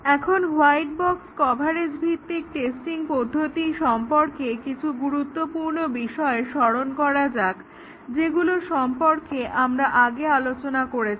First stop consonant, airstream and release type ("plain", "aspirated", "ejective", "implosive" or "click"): aspirated